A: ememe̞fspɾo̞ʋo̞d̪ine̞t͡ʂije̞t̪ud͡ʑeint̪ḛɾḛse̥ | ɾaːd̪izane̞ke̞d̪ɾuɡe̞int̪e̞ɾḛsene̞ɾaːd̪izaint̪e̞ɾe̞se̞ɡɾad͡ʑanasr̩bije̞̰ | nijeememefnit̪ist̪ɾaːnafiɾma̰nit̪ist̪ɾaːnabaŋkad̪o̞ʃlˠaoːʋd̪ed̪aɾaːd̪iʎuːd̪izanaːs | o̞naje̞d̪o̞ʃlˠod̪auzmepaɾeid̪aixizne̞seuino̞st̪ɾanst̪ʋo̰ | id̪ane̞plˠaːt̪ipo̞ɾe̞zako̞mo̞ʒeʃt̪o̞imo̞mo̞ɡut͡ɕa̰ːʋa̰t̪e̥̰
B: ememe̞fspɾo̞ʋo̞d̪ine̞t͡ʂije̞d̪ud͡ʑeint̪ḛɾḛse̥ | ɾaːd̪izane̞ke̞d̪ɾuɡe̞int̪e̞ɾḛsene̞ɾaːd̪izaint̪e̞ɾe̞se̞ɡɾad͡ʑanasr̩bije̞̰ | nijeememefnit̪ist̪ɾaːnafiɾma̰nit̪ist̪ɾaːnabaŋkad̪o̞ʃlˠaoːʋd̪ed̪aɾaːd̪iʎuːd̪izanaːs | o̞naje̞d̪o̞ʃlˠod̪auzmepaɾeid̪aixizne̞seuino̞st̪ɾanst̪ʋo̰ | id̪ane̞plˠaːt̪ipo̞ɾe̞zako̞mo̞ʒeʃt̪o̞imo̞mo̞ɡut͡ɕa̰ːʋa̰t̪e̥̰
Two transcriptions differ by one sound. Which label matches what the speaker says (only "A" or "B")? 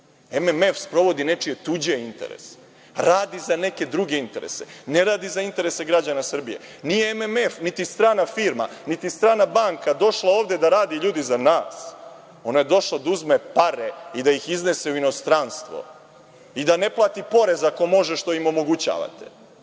A